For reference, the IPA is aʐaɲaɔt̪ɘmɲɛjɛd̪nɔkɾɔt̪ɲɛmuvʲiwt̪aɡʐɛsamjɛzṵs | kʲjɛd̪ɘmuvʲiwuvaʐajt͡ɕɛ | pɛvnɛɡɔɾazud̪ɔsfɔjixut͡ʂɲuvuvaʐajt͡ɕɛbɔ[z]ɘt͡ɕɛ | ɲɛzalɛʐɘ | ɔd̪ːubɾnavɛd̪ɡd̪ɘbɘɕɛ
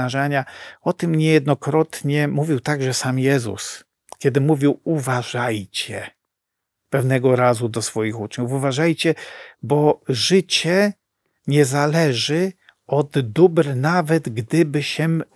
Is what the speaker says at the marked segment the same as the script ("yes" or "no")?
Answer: no